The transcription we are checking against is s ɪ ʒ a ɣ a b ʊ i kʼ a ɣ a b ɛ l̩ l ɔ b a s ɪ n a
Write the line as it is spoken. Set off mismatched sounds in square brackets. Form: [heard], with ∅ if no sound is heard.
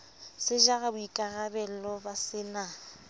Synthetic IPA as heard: s ɪ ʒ a ɣ a b ʊ i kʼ a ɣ a b ɛ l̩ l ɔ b a s ɪ n a